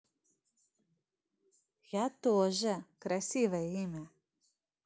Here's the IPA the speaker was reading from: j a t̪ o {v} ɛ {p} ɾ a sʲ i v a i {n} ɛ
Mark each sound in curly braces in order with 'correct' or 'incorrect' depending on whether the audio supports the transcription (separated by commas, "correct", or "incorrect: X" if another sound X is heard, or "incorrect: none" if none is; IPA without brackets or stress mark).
incorrect: ʒ, incorrect: k, incorrect: m